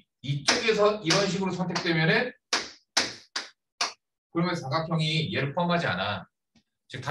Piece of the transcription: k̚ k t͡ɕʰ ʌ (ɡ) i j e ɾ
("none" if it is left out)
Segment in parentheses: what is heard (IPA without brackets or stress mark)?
ŋ